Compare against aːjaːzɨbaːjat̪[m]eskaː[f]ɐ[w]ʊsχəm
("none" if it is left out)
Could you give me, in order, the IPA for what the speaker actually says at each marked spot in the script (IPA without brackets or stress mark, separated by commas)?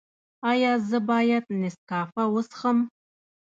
n, f, w